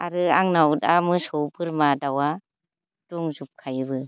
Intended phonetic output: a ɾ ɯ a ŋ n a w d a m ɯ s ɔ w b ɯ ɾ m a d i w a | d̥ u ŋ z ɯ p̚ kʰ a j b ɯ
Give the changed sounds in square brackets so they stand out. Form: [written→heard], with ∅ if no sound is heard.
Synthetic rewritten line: a ɾ ɯ a ŋ n a w d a m ɯ s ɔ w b ɯ ɾ m a d [i→a] w a | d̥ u ŋ z [ɯ→u] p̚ kʰ a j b ɯ